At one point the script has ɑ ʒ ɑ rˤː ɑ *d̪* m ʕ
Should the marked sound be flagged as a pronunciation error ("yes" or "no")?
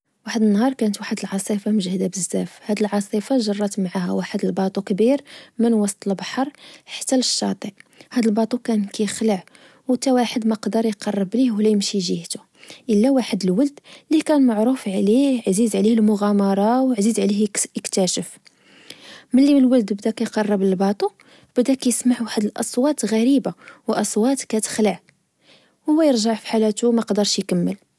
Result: yes